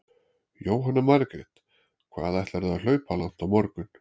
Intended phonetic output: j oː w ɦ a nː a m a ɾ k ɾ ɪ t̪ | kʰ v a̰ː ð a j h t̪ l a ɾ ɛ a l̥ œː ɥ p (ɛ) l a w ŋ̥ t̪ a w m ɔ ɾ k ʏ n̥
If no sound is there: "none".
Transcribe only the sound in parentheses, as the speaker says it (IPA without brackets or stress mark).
a